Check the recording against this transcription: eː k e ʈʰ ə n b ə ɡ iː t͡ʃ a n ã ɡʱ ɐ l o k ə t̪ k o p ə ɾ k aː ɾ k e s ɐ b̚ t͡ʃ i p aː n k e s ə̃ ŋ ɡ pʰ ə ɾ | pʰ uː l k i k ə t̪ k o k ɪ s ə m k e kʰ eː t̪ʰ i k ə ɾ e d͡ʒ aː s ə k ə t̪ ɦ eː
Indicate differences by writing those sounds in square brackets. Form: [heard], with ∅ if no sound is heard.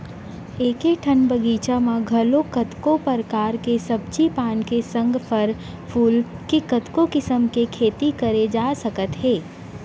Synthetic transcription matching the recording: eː k e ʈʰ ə n b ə ɡ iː t͡ʃ a [m] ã ɡʱ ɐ l o k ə t̪ k o p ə ɾ k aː ɾ k e s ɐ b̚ t͡ʃ i p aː n k e s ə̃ ŋ ɡ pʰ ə ɾ | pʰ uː l k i k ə t̪ k o k ɪ s ə m k e kʰ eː [t̪] i k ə ɾ e d͡ʒ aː s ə k ə t̪ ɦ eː